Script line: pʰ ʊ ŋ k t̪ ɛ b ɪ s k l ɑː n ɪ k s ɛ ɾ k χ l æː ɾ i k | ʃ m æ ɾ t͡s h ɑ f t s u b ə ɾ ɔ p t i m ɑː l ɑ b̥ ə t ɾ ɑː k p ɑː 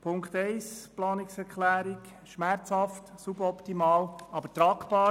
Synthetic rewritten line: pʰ ʊ ŋ k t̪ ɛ ɪ s p l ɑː n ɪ k s ɛ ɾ k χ l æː ɾ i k | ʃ m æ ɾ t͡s h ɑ f t s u b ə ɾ ɔ p t i m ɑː l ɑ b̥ ə t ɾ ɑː k p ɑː